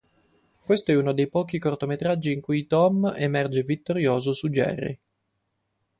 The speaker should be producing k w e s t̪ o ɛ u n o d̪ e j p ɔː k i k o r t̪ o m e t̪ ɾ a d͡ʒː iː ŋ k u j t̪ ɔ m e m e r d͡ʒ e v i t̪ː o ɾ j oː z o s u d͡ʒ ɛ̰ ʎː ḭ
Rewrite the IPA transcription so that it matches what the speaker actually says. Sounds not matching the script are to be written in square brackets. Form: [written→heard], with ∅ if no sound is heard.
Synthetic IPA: k w e s t̪ o ɛ u n o d̪ e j p ɔː k i k o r t̪ o m e t̪ ɾ a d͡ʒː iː ŋ k u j t̪ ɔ m e m [e→ɛ] r d͡ʒ e v i t̪ː o ɾ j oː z o s u d͡ʒ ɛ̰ [ʎː→rː] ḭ